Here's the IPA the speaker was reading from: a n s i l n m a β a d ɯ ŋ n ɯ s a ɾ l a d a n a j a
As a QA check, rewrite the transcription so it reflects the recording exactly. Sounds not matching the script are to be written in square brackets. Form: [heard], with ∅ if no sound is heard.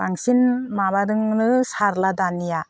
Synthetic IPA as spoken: a [ŋ] s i [∅] n m a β a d ɯ ŋ n ɯ s a ɾ l a d a n [i] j a